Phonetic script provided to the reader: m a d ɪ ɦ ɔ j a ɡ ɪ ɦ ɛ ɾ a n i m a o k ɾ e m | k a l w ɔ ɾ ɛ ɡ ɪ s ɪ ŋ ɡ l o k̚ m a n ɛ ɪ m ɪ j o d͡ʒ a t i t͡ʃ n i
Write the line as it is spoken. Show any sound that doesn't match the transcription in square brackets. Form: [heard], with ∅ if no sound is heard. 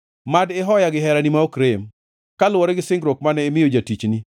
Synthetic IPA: m a d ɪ ɦ ɔ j a ɡ ɪ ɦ ɛ ɾ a n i m a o k ɾ e m | k a l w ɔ ɾ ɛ ɡ ɪ s ɪ ŋ ɡ [ɾ] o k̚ m a n ɛ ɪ m ɪ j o d͡ʒ a t i t͡ʃ n i